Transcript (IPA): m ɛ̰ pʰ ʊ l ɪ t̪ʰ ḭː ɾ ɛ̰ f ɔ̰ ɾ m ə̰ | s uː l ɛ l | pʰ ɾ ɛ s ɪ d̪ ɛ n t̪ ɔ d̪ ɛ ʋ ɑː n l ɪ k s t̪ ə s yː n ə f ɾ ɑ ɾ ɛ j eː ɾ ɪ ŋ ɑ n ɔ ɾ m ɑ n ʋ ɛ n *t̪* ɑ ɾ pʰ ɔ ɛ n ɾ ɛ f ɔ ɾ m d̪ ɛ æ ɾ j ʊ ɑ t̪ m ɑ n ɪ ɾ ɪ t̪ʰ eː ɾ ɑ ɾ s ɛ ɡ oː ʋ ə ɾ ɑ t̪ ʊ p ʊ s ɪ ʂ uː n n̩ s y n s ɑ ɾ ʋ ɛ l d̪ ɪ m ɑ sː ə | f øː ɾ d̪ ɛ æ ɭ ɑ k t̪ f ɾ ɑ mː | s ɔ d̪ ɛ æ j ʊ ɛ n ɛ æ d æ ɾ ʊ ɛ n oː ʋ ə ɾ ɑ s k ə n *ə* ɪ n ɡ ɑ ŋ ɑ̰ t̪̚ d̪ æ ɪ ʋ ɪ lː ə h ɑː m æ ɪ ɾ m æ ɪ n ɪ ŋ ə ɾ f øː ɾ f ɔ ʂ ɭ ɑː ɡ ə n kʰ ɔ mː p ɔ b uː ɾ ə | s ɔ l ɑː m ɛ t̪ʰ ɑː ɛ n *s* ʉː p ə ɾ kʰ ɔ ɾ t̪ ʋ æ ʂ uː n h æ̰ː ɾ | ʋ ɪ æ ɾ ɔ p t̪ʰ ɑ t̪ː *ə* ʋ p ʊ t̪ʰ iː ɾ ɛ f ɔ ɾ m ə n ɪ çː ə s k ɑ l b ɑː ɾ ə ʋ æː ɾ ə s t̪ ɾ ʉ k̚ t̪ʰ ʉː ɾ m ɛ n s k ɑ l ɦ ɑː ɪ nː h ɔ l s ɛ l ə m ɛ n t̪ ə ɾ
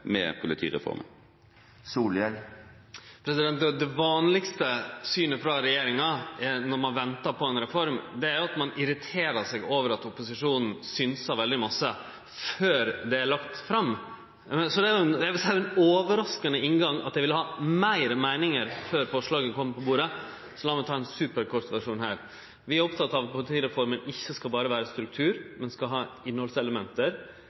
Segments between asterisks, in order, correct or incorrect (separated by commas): correct, correct, correct, incorrect